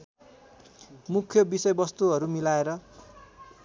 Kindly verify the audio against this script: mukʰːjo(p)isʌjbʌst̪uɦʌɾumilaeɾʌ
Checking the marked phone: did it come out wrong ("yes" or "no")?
yes